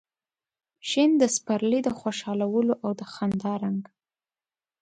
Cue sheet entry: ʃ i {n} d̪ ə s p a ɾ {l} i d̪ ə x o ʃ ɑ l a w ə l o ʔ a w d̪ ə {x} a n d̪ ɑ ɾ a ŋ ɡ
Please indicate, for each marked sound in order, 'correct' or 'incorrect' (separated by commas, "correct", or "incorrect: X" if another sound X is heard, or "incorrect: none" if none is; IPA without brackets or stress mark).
correct, correct, correct